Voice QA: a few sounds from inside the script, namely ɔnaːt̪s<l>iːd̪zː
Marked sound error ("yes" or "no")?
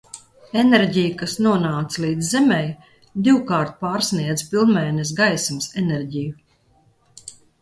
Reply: no